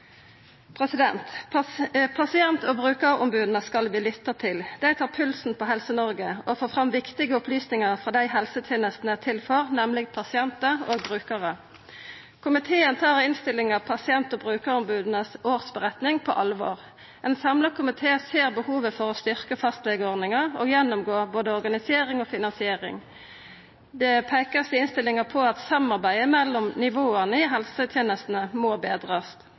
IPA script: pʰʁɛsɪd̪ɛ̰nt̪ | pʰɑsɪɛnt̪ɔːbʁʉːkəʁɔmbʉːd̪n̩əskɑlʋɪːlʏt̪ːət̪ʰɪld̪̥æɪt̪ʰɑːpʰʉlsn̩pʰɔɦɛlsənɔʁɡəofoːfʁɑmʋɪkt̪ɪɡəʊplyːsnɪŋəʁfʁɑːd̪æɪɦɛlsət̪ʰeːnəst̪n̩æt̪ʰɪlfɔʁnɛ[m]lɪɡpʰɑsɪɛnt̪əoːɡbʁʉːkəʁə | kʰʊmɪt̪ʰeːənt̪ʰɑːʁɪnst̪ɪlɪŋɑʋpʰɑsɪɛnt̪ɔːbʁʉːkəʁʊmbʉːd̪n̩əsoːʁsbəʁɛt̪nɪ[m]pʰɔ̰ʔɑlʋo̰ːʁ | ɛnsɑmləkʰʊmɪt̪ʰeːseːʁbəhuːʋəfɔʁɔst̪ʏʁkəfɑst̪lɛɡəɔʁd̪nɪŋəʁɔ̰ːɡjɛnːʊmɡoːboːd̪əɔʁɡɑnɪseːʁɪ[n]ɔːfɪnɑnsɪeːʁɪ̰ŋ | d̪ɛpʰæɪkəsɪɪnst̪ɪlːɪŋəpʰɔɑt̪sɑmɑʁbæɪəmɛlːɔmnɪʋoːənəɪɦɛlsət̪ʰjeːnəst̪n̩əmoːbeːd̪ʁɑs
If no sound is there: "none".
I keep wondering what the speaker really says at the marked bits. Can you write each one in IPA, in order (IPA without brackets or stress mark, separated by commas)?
m, ŋ, ŋ